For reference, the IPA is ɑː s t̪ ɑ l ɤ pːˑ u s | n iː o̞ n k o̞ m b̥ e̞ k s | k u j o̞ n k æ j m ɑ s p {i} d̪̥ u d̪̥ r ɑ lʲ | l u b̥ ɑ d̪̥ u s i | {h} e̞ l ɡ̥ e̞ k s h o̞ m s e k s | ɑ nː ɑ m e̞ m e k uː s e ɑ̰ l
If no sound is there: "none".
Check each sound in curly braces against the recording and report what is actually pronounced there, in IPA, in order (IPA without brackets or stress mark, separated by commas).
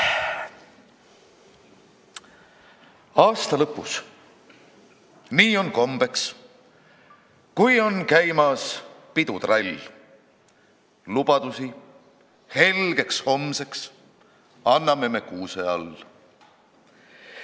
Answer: i, h